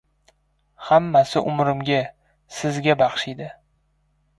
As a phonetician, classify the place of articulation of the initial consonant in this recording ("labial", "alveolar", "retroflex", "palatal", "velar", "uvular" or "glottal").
glottal